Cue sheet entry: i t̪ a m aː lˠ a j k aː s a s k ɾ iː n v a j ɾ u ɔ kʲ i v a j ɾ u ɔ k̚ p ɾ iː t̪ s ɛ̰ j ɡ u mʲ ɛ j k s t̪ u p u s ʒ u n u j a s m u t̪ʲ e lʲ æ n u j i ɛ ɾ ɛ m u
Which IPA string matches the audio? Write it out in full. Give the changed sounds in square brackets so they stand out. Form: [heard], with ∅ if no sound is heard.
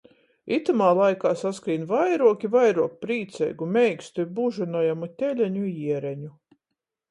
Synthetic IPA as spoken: i t̪ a m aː lˠ a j k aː s a s k ɾ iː n v a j ɾ u ɔ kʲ i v a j ɾ u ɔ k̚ p ɾ iː t̪ s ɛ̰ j ɡ u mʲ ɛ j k s t̪ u [b] u [∅] ʒ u n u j a [∅] m u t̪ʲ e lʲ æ [ɲ] u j i ɛ ɾ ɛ [ɲ] u